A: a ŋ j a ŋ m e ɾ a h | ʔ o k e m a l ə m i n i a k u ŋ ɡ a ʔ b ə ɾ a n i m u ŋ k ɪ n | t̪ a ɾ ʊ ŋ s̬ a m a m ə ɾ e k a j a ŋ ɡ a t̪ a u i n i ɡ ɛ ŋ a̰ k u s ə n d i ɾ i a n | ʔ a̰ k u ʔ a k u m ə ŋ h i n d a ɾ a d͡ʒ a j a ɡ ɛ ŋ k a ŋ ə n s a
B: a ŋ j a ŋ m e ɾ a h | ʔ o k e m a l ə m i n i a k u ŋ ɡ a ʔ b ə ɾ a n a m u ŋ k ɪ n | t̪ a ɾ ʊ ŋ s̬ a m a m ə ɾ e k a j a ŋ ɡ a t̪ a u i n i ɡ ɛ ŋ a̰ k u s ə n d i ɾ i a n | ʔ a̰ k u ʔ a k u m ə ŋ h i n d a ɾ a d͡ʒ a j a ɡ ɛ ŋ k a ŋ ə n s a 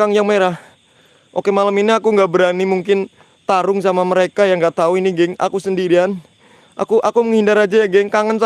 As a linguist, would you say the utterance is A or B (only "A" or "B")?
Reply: A